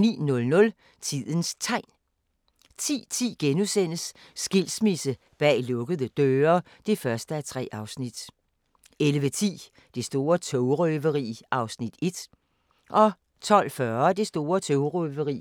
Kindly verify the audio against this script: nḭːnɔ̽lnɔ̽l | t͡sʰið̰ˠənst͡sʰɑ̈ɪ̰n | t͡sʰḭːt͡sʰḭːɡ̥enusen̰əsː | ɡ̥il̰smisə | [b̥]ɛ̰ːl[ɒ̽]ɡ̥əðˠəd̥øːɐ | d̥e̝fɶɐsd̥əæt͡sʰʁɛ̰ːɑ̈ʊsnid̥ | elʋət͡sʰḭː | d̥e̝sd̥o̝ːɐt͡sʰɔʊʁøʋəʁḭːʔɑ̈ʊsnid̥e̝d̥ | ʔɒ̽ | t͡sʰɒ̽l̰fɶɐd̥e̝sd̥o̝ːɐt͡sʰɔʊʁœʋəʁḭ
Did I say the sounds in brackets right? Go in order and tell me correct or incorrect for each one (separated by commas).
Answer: correct, incorrect